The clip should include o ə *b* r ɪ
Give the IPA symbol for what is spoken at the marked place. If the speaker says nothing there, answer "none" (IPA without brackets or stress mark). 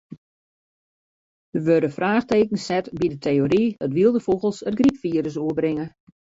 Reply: b